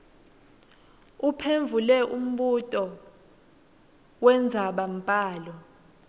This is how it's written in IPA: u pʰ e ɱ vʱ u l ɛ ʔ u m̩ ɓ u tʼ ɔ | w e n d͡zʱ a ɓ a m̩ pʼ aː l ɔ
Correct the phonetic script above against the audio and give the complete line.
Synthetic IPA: u pʰ e ɱ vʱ u l ɛ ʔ u m̩ ɓ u tʼ ɔ | w ɛ n d͡zʱ a ɓ a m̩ pʼ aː l ɔ